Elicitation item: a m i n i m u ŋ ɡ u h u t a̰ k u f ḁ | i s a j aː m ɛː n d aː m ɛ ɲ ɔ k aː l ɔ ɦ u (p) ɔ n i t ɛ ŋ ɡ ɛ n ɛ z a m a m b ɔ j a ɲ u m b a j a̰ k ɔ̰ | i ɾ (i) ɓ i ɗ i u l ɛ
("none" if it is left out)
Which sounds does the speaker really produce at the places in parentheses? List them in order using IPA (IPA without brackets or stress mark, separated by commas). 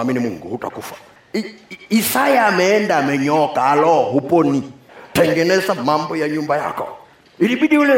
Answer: p, i